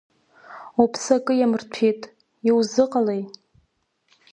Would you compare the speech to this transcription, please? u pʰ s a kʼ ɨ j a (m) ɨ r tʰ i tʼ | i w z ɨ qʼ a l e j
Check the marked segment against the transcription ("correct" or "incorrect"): correct